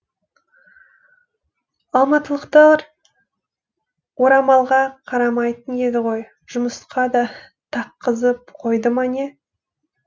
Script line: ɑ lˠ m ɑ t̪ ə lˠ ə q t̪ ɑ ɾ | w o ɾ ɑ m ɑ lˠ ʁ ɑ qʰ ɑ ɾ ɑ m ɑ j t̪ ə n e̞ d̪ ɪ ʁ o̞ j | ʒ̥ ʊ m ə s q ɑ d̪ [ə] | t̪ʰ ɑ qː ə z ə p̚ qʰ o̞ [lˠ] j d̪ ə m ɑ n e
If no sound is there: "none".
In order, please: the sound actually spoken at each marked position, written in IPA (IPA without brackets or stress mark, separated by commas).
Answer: ɑ, none